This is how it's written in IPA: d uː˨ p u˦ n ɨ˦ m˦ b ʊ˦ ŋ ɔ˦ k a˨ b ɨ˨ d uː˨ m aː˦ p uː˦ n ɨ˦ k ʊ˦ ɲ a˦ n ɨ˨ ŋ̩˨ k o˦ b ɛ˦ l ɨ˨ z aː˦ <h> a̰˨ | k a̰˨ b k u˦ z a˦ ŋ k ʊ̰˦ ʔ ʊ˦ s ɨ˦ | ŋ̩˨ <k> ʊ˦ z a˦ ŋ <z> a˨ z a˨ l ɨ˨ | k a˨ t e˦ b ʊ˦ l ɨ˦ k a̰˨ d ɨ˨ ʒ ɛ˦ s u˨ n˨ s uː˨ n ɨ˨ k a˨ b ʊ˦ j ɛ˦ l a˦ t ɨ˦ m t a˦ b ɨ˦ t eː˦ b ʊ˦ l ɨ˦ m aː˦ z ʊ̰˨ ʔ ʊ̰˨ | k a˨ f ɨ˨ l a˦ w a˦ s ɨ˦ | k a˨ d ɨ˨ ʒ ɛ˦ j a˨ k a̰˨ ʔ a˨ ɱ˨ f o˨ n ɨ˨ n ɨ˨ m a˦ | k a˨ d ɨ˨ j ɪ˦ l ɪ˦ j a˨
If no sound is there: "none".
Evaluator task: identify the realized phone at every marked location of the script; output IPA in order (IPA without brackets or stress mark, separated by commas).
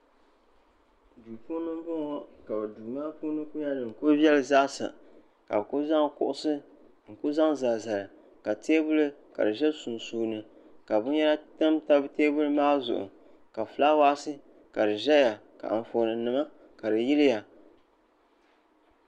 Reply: s, k, z